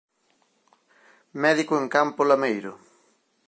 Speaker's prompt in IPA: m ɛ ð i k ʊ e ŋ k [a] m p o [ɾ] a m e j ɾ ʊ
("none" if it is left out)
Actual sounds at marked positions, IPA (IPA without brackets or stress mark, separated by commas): a, l